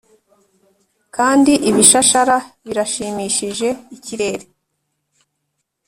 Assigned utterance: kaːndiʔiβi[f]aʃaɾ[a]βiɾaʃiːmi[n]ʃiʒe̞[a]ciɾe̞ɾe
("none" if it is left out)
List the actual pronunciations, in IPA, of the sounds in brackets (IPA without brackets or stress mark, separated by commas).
ʃ, a, none, i